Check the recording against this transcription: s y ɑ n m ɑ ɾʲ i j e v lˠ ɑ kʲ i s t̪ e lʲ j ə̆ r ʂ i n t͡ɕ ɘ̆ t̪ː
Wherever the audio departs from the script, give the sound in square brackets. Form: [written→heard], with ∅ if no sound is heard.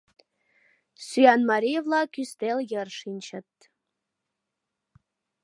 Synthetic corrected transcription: s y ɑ n m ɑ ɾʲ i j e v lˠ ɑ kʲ [i→y] s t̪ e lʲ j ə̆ r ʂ i n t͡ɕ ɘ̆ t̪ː